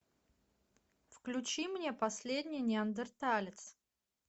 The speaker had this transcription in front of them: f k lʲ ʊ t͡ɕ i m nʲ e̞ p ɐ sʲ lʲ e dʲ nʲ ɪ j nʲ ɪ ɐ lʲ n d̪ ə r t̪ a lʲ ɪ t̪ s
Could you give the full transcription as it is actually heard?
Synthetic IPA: f k lʲ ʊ t͡ɕ i m nʲ e̞ p ɐ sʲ lʲ e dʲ nʲ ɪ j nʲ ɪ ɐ n d̪ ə r t̪ a lʲ ɪ t̪ s